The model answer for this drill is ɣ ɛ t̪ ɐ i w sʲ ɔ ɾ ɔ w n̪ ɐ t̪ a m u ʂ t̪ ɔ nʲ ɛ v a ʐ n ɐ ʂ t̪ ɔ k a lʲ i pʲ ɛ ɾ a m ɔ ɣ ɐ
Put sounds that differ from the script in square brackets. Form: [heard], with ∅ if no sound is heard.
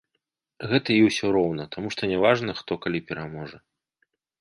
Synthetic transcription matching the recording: ɣ ɛ t̪ ɐ i w sʲ ɔ ɾ ɔ w n̪ ɐ t̪ a m u ʂ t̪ ɔ nʲ ɛ v a ʐ n ɐ [x] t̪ ɔ k a lʲ i pʲ ɛ ɾ a m ɔ [ʐ] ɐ